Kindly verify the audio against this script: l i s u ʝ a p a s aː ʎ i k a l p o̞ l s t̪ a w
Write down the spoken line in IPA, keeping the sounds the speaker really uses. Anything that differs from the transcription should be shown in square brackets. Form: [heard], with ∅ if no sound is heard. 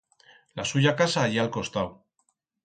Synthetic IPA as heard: l [a] s u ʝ a [k] a s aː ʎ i [∅] a l [k] o̞ [∅] s t̪ a w

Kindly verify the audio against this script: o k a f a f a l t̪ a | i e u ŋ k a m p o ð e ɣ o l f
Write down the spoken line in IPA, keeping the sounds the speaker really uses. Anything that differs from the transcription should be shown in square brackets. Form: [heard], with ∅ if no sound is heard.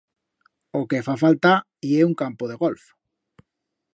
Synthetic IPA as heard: o k [e] f a f a l t̪ a | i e u ŋ k a m p o ð e ɣ o l f

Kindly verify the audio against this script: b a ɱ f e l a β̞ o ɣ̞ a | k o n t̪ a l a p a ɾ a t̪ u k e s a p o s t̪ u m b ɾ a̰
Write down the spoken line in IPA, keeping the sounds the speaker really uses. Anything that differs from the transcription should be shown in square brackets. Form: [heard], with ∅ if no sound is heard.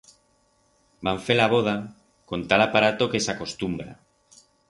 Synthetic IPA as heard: b a ɱ f e l a β̞ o [ð̞] a | k o n t̪ a l a p a ɾ a t̪ [o] k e s a [k] o s t̪ u m b ɾ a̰

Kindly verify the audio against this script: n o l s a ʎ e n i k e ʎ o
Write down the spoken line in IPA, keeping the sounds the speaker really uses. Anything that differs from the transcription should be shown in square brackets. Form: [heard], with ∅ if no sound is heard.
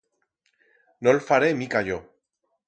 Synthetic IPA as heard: n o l [f] a [ɾ] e [m] i k [a] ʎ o

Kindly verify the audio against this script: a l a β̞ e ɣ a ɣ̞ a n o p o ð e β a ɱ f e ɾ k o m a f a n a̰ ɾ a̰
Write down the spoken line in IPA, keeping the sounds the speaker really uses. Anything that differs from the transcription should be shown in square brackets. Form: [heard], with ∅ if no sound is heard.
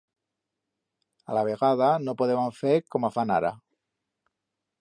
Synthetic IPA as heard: a l a β̞ e ɣ a [ð̞] a n o p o ð e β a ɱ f e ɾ k o m a f a n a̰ ɾ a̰

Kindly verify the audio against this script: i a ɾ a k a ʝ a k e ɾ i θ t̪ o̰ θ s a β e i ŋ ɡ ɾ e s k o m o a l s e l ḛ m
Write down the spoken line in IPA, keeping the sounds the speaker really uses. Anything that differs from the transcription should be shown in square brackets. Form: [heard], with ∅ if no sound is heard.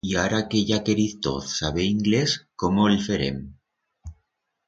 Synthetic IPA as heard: i a ɾ a k [e] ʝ a k e ɾ i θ t̪ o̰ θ s a β e i ŋ ɡ [l] e s k o m o [e] l [f] e [ɾ] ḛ m

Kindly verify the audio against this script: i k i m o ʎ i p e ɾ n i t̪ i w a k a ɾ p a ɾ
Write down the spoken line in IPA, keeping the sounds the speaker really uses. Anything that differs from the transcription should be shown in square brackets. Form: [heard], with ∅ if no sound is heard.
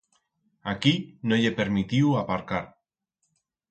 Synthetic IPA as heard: [a] k i [n] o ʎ [e] p e ɾ [m] i t̪ i w a [p] a ɾ [k] a ɾ

